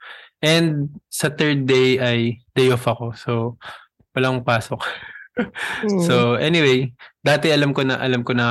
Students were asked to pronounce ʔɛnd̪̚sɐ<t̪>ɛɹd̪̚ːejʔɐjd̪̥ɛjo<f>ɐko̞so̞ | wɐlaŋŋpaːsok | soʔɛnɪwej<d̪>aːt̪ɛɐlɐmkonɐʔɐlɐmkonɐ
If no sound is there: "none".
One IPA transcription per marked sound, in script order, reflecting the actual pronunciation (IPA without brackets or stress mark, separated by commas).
t̪, f, d̪